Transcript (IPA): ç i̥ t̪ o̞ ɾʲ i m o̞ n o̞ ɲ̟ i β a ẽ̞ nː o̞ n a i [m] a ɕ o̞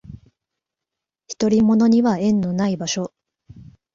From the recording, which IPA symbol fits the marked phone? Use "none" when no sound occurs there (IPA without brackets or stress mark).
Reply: b